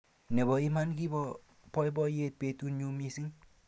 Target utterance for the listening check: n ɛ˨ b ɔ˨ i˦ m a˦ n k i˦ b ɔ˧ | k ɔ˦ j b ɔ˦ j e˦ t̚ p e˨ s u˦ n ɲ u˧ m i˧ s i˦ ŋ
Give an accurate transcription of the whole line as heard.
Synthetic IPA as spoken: n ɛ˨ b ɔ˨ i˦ m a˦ n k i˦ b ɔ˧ | p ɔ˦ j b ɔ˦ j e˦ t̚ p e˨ t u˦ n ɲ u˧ m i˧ s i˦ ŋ